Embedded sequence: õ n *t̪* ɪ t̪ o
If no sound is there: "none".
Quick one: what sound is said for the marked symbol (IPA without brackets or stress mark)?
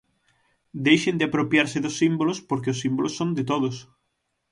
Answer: d̪